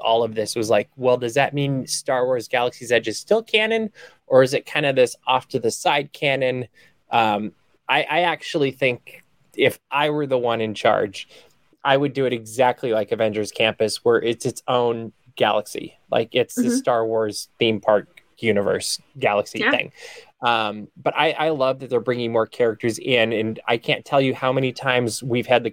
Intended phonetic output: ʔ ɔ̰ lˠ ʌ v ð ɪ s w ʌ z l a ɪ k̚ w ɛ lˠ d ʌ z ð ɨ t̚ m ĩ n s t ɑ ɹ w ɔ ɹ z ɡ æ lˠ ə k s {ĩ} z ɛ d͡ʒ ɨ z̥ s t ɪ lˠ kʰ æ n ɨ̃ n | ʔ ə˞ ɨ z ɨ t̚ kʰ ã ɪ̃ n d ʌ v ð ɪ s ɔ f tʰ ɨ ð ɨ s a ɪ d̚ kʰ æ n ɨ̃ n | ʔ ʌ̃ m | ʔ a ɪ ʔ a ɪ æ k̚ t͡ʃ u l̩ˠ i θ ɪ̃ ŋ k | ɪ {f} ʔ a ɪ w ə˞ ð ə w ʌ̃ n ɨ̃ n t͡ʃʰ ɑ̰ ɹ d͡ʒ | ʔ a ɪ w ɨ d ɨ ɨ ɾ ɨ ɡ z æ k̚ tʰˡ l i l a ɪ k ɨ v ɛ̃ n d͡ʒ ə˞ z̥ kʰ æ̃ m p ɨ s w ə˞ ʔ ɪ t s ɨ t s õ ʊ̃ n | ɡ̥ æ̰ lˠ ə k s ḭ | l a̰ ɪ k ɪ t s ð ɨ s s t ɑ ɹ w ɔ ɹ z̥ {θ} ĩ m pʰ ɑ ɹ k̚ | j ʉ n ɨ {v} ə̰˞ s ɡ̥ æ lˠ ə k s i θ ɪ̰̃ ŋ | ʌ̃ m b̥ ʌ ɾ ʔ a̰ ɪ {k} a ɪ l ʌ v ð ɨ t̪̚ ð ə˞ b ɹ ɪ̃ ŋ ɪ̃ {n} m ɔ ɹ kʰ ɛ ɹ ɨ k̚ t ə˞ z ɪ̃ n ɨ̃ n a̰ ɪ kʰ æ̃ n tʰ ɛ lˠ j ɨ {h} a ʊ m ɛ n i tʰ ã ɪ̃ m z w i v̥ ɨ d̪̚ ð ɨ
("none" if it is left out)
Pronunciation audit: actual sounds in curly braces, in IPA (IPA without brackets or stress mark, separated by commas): i, f, θ, v, ʔ, ŋ, h